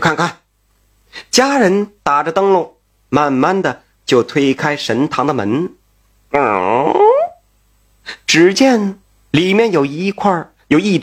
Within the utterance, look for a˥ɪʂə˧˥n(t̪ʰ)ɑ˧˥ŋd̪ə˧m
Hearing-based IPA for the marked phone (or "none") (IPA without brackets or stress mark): t̪ʰ